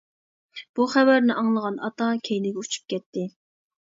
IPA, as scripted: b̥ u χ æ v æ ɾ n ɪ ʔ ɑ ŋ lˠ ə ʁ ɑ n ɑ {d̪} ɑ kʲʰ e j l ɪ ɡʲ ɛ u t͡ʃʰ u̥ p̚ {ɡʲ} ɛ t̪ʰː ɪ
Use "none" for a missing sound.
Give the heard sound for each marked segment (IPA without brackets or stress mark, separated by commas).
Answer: t̪, kʲ